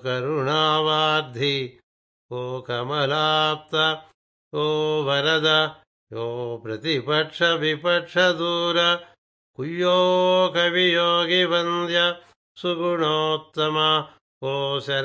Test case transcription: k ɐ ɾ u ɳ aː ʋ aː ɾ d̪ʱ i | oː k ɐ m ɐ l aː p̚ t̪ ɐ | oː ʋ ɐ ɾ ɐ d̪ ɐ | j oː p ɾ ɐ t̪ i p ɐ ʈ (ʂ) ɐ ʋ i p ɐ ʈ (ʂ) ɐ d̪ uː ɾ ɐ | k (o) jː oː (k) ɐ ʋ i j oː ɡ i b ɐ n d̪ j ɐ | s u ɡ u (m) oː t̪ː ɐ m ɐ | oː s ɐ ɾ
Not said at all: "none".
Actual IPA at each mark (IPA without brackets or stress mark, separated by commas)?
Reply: ʂ, ʂ, u, k, ɳ